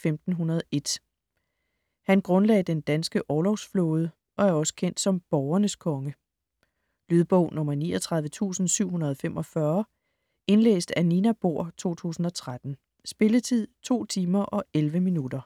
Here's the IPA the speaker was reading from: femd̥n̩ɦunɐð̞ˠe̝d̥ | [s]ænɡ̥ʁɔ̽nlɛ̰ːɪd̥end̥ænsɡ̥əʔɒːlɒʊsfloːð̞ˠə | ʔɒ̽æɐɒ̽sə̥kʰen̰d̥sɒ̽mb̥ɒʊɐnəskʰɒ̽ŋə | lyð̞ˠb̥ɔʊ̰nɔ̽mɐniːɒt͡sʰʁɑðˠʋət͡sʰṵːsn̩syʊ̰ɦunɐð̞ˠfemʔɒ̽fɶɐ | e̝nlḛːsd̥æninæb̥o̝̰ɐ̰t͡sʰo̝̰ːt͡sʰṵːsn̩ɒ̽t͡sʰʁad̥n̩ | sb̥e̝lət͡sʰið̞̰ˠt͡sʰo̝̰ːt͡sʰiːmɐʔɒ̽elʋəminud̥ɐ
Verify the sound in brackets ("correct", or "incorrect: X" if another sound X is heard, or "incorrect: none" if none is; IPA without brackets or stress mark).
incorrect: h